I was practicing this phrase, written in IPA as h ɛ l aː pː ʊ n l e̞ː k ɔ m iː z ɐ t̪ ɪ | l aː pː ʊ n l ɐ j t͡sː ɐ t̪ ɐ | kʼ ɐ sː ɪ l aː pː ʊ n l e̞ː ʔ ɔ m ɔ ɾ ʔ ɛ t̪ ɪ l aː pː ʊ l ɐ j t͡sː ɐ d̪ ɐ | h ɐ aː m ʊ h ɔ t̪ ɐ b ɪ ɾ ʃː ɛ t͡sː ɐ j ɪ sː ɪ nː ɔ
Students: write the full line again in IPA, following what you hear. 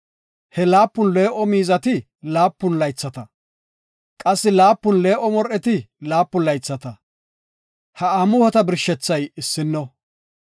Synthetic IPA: h ɛ l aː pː ʊ n l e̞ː ʔ ɔ m iː z ɐ t̪ ɪ | l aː pː ʊ n l ɐ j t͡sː ɐ t̪ ɐ | kʼ ɐ sː ɪ l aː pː ʊ n l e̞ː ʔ ɔ m ɔ ɾ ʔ ɛ t̪ ɪ l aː pː ʊ l ɐ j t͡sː ɐ t̪ ɐ | h ɐ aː m ʊ h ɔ t̪ ɐ b ɪ ɾ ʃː ɛ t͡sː ɐ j ɪ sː ɪ nː ɔ